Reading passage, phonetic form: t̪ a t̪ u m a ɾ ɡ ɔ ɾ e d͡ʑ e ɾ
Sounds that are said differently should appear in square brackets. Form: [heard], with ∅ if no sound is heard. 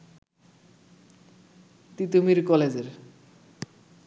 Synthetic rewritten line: t̪ [i] t̪ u m [i] ɾ [k] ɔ [l] e d͡ʑ e ɾ